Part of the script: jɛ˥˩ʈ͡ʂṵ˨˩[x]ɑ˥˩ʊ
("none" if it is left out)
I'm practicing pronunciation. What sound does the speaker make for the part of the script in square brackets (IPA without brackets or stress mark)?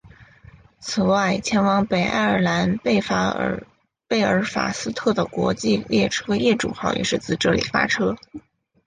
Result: x